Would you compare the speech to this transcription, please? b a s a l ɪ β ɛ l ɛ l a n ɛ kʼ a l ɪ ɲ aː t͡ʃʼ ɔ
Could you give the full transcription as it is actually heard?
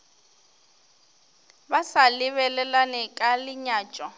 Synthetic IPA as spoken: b a s a l ɪ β ɛ l ɛ l a n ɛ kʼ a l ɪ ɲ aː t͡ʃʼ ɔ

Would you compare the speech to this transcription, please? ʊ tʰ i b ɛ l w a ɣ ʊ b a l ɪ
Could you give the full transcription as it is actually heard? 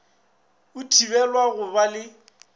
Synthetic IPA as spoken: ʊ tʰ i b ɛ l w a ɣ ʊ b a l ɪ

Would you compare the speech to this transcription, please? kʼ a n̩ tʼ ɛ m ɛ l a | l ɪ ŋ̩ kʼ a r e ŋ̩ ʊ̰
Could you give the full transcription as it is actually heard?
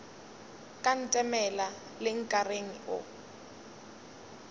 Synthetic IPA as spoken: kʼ a n̩ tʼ ɛ m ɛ l a | l ɪ ŋ̩ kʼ a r e ŋ̩ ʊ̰

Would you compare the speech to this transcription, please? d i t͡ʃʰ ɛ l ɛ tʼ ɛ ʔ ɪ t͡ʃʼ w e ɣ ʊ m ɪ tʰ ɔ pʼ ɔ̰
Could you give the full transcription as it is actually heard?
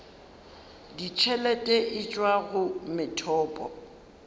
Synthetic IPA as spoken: d i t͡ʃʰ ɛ l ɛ tʼ ɛ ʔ ɪ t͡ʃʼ w a ɣ ʊ m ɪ tʰ ɔː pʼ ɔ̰

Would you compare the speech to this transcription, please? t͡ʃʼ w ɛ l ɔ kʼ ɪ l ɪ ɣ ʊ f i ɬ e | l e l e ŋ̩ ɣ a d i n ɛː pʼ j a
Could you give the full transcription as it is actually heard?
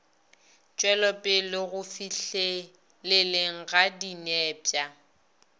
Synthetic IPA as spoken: t͡ʃʼ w ɛ l ɔ pʼ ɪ l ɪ ɣ ʊ f i ɬ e | l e l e ŋ̩ ɣ a d i n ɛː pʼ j a

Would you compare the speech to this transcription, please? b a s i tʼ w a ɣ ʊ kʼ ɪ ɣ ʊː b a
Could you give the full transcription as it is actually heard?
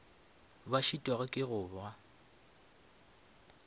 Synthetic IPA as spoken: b a ʃ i tʼ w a ɣ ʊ kʼ ɪ ɣ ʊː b a

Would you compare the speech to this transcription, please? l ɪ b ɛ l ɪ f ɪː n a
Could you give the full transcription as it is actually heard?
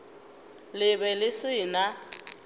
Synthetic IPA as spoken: l ɪ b ɛ l ɪ s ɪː n a

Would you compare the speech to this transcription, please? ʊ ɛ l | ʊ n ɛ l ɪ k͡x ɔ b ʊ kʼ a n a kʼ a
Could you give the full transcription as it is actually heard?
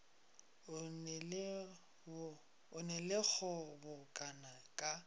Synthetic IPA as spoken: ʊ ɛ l | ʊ n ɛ l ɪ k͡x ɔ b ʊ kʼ a n a kʼ a

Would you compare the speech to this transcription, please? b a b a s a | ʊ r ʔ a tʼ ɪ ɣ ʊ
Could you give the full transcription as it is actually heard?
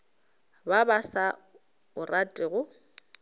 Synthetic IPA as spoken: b a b a s a | ʊ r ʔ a tʼ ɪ ɣ ʊ

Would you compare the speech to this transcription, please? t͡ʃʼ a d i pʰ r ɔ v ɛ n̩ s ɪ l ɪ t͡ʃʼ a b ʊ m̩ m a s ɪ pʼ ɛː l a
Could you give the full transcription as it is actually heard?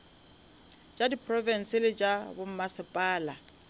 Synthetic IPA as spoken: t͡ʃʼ a d i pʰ r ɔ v ɛ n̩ s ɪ l ɪ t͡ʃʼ a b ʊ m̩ m a s ɪ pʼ aː l a

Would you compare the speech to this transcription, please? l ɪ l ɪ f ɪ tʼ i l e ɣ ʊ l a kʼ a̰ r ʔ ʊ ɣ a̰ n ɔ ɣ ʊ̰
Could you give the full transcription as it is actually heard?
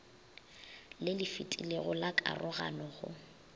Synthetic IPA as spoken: l ɪ l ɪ f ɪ tʼ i l e ɣ ʊ l a kʼ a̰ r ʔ ʊ ɣ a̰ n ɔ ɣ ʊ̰

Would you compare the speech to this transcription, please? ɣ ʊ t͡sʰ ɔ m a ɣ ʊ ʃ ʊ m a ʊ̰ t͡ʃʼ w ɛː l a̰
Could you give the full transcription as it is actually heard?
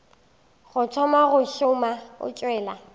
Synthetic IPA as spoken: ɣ ʊ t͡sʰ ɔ m a ɣ ʊ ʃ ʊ m a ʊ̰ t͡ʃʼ w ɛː l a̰

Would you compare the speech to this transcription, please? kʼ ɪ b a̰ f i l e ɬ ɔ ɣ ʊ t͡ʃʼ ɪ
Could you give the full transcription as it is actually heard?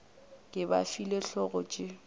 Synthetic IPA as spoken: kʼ ɪ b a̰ f i l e ɬ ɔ ɣ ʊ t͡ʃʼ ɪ

